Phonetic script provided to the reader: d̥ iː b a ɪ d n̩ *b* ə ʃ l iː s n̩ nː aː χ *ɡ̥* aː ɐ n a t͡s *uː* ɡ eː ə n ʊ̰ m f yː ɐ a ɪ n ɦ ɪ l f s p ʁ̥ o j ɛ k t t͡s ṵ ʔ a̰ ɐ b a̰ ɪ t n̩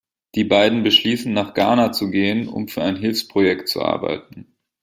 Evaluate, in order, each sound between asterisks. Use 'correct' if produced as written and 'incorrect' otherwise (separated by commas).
correct, correct, incorrect